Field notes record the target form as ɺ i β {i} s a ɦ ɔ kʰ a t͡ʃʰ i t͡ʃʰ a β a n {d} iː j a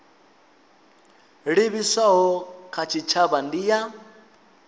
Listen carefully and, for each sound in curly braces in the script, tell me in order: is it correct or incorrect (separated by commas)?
correct, correct